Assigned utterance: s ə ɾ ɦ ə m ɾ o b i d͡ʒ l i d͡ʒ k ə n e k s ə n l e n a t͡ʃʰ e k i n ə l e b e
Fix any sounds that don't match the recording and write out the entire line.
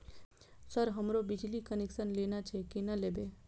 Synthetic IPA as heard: s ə ɾ ɦ ə m ɾ o b i d͡ʒ l i k ə n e k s ə n l e n a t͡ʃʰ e k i n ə l e b e